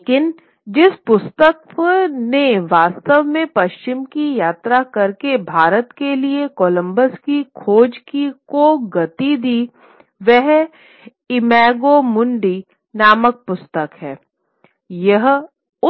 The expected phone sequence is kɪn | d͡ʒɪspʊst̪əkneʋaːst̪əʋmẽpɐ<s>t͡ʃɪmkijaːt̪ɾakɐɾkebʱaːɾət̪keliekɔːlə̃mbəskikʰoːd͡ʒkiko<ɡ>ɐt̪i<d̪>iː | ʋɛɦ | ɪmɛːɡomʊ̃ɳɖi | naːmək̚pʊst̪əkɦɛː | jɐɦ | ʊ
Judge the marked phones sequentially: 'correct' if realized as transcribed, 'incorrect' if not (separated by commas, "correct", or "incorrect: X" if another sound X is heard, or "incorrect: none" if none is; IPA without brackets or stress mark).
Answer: incorrect: ʃ, correct, correct